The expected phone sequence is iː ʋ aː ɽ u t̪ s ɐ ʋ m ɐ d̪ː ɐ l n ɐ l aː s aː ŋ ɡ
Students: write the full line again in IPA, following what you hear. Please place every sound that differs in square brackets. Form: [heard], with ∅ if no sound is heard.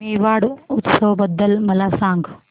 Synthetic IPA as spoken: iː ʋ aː ɽ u t̪ s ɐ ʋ [b] ɐ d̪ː ɐ l [m] ɐ l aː s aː ŋ ɡ